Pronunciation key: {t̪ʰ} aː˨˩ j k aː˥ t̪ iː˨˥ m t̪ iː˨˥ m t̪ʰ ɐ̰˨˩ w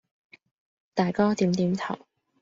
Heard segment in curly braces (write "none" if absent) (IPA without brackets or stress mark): t̪